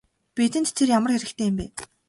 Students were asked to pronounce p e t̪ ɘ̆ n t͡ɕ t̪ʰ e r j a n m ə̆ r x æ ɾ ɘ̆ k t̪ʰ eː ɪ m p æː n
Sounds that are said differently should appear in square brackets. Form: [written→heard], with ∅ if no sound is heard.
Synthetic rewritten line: p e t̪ ɘ̆ n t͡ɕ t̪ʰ e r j a [n→∅] m ə̆ r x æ ɾ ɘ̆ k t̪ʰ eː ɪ m p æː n